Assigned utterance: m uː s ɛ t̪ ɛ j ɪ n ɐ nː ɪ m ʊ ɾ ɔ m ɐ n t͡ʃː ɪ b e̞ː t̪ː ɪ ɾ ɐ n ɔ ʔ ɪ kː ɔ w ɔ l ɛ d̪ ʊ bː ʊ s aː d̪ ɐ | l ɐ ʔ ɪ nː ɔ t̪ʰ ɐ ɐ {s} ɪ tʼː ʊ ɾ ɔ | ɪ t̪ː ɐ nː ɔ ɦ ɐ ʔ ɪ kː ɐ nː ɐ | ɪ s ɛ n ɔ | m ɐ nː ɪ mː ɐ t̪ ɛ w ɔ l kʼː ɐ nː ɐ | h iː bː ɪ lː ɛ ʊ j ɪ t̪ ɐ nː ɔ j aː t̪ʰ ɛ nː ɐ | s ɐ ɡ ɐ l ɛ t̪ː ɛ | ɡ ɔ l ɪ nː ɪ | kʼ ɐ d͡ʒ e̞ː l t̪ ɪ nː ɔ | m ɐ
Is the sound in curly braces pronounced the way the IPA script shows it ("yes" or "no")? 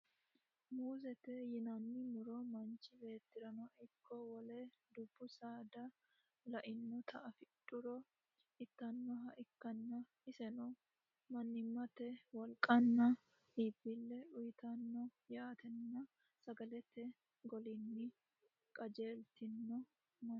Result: no